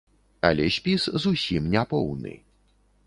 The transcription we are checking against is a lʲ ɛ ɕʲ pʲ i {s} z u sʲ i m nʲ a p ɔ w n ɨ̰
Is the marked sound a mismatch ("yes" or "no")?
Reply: no